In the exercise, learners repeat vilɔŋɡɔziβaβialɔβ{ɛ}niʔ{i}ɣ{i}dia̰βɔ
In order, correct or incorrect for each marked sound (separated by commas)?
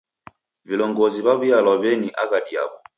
correct, incorrect, incorrect